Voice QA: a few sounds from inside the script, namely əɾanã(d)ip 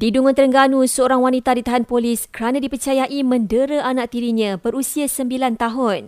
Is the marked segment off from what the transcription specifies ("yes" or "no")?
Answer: no